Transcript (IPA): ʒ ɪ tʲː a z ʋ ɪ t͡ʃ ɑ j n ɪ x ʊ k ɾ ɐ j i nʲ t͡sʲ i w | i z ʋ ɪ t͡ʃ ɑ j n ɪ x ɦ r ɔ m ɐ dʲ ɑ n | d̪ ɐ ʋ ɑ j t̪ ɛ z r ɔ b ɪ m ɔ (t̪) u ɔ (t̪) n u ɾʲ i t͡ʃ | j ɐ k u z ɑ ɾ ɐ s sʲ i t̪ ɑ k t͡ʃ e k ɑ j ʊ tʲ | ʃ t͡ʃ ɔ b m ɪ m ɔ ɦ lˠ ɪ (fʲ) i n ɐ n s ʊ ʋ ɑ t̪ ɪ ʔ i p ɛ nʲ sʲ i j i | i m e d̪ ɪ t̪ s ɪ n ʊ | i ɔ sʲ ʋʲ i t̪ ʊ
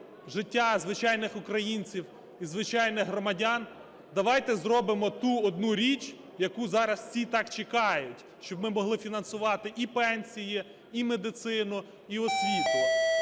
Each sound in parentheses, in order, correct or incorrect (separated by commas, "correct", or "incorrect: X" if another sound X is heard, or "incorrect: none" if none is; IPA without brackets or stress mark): correct, incorrect: d̪, correct